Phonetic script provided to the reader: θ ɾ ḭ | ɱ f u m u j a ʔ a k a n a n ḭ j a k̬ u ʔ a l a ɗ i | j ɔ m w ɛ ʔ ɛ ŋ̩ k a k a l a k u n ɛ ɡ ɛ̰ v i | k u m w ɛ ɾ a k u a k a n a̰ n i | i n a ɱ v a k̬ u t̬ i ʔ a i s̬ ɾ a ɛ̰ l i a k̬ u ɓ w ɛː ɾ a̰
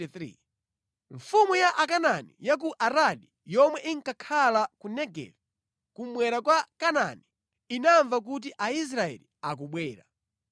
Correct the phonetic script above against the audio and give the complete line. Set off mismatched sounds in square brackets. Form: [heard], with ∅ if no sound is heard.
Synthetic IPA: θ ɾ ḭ | ɱ f u m u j a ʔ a k a n a n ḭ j a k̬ u ʔ a [ɾ] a ɗ i | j ɔ m w ɛ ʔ [i] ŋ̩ k a [kʰ] a l a k u n ɛ ɡ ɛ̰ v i | k u m w ɛ ɾ a k [w] a k a n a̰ n i | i n a ɱ v a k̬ u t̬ i ʔ a i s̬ ɾ a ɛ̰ l i a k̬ u ɓ w ɛː ɾ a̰